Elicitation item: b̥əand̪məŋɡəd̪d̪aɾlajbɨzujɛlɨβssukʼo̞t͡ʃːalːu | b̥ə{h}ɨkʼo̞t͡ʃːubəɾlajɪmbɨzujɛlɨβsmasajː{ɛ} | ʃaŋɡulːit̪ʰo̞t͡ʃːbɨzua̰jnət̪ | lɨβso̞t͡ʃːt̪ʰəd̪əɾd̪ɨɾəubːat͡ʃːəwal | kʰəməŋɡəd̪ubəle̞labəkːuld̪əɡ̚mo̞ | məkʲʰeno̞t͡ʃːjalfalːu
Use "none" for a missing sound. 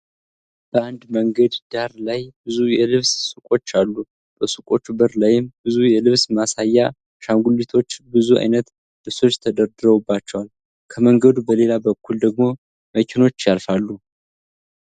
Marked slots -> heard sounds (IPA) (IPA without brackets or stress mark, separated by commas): s, a